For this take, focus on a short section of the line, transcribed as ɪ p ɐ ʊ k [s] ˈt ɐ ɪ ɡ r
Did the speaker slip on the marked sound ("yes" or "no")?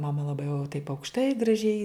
yes